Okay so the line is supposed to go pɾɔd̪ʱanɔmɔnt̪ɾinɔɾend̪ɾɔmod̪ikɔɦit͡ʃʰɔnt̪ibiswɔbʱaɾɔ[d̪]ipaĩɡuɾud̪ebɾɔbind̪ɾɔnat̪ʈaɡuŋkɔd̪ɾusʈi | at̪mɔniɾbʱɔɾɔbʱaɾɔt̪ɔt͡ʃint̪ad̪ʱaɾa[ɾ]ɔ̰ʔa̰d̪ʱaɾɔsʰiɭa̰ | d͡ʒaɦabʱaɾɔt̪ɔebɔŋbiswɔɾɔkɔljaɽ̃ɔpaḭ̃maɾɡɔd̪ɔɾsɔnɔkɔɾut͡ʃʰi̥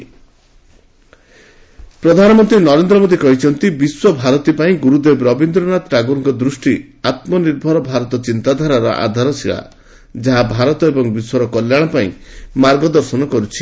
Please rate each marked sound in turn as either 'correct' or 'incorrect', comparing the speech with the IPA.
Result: incorrect: t̪, correct

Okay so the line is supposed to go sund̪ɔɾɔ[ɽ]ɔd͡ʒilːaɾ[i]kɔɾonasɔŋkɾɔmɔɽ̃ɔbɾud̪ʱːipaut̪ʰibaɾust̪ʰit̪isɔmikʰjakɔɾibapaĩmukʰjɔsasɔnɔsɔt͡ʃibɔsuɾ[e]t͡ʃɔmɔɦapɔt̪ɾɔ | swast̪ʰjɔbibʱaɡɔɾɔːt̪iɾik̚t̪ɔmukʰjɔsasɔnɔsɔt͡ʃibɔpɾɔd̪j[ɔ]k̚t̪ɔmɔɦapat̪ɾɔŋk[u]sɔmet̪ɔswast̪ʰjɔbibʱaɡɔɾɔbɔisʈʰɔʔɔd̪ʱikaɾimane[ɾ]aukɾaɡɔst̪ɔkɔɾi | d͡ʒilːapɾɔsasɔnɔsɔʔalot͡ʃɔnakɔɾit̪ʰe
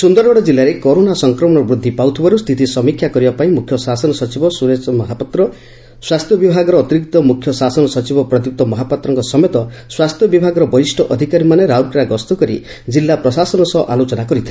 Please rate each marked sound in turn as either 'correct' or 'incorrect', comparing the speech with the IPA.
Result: correct, incorrect: e, correct, incorrect: u, incorrect: ɔ, correct

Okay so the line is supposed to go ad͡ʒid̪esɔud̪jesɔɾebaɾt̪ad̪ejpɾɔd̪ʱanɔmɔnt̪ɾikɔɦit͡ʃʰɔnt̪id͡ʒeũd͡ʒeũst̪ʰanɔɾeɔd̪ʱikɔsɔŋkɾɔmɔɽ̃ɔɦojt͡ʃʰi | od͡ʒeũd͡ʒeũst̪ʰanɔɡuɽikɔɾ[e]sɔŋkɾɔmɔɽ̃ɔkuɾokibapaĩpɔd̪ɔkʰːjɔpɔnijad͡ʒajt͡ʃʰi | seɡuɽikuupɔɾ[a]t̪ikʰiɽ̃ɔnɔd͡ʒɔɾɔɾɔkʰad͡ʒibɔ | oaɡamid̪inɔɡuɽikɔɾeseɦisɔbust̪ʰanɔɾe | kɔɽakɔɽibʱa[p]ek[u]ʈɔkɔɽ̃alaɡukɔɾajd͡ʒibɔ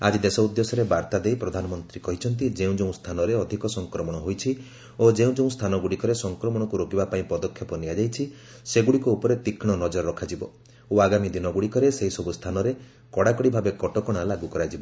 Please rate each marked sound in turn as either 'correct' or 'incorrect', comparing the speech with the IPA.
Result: correct, incorrect: e, incorrect: b, incorrect: ɔ

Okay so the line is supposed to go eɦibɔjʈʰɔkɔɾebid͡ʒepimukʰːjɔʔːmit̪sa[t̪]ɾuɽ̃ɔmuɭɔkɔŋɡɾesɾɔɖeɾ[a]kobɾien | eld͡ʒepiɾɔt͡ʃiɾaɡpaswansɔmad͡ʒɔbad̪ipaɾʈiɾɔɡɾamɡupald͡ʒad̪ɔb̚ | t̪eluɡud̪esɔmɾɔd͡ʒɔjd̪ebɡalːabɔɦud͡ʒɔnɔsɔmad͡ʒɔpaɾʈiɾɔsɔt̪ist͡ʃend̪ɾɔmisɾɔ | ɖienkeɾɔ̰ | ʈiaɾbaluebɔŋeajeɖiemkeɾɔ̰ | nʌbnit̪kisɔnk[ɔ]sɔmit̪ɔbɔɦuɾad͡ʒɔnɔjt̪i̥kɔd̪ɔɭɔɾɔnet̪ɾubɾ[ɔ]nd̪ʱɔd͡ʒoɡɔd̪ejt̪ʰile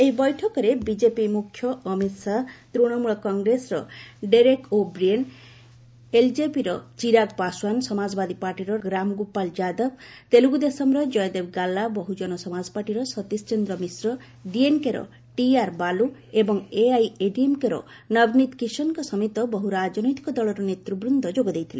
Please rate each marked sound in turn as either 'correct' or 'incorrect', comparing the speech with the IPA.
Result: correct, incorrect: e, correct, incorrect: u

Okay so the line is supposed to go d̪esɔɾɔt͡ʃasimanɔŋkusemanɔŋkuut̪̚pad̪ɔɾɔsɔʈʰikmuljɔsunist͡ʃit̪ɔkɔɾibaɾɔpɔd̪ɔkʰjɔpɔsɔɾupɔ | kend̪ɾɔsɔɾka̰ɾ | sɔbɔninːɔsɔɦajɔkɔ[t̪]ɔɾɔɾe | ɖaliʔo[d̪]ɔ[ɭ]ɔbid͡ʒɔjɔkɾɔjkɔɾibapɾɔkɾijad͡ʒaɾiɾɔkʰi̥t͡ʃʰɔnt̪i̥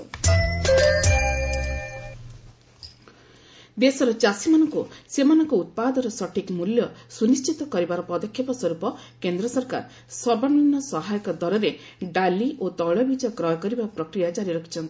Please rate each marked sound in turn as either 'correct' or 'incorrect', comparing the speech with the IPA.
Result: incorrect: d̪, incorrect: t̪, correct

